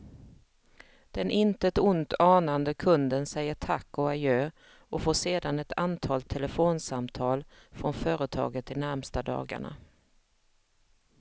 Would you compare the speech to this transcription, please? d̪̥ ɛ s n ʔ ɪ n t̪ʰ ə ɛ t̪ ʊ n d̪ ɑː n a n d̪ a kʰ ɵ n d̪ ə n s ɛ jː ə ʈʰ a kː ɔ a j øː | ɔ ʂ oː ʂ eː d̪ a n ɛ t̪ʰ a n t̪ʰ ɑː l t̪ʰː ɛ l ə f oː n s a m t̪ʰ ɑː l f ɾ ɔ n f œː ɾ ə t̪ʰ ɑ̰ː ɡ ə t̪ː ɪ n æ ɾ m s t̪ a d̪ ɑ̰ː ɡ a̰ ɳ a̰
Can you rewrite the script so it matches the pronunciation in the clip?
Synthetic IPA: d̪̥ ɛ n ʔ ɪ n t̪ ə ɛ t̪ ʊ n t̪ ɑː n a n d̪ ə kʰ ɵ n d̪ ə n s ɛ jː ə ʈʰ a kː ɔ a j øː | ɔ f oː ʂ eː d̪ a n ɛ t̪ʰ a n t̪ʰ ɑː l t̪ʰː ɛ l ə f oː n s a m t̪ʰ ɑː l f ɾ ɔ n f œː ɾ ə t̪ʰ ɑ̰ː ɡ ə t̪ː ɪ n æ ɾ m s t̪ a d̪ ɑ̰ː ɡ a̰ ɳ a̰